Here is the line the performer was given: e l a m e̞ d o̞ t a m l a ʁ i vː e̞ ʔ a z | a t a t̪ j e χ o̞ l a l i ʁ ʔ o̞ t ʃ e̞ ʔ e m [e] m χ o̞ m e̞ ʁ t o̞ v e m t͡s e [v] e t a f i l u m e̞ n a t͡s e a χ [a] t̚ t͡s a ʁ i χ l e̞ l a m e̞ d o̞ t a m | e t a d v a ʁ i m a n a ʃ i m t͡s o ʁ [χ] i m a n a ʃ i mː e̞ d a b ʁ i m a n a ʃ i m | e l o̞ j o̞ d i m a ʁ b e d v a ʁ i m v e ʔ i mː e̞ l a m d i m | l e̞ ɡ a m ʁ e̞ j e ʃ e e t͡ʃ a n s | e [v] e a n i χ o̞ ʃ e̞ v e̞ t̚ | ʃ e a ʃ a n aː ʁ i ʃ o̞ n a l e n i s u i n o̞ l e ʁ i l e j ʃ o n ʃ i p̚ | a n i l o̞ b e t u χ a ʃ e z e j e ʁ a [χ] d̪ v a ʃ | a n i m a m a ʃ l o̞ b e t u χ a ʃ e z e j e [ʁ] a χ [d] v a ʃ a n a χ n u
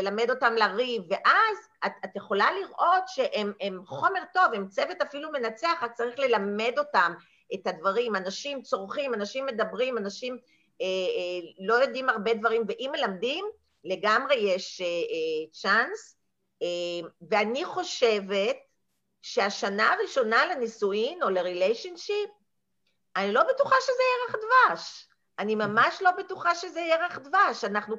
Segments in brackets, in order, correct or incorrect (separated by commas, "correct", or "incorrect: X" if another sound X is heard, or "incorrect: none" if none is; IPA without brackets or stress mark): correct, correct, correct, correct, correct, correct, correct, correct